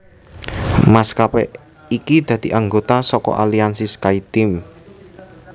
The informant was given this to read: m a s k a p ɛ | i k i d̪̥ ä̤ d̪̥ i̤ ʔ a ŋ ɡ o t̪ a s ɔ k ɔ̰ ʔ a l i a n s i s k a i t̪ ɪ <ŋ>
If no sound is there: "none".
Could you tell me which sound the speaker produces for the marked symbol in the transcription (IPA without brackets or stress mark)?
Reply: m